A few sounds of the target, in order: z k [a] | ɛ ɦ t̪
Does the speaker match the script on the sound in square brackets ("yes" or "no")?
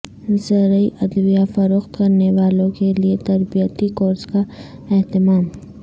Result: yes